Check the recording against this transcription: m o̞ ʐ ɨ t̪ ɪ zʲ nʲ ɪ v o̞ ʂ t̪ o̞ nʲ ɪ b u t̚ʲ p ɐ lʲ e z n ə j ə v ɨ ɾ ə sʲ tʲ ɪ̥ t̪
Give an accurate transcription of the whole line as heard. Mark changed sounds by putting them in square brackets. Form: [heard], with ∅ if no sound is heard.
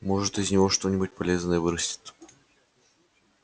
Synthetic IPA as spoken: m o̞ ʐ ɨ t̪ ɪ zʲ nʲ ɪ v o̞ ʂ t̪ o̞ nʲ ɪ b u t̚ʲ p ɐ lʲ e z n ə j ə v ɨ ɾ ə sʲ tʲ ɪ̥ t̪